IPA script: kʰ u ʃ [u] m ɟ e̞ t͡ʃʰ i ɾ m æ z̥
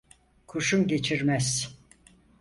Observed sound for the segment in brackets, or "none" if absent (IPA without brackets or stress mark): u